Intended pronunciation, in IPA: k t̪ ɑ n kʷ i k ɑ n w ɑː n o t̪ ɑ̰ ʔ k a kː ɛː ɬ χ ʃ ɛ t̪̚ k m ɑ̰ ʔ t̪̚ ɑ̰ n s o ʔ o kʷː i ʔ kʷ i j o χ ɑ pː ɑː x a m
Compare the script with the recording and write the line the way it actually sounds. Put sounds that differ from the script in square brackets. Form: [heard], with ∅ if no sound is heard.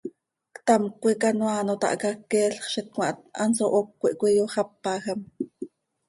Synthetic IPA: k t̪ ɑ [m] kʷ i k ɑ n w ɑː n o t̪ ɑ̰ ʔ k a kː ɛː ɬ χ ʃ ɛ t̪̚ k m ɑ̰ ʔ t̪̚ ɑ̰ n s o ʔ o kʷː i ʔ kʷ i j o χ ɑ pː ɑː x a m